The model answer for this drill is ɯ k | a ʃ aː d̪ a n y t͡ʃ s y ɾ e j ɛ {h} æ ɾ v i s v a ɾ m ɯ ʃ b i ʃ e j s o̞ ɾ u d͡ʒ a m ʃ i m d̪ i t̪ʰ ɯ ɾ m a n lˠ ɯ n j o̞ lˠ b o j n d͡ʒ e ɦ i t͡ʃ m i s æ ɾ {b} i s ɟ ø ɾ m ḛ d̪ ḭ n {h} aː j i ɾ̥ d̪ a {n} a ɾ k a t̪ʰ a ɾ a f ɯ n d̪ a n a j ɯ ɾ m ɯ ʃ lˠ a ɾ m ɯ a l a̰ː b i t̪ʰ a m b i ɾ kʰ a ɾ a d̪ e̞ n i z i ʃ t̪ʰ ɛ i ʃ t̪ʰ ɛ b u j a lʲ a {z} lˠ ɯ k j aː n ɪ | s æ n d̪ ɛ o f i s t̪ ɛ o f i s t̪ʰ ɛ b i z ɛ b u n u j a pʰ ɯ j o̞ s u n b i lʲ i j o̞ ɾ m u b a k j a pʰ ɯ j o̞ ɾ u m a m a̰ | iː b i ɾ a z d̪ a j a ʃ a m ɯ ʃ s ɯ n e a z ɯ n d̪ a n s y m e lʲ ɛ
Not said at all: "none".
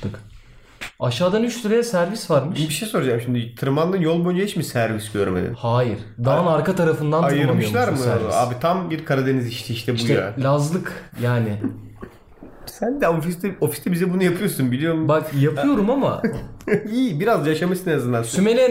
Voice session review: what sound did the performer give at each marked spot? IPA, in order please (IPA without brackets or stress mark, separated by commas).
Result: s, v, h, n, z